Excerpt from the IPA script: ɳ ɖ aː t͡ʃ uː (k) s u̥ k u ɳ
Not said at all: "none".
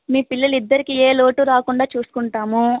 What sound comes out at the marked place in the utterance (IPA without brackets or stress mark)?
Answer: none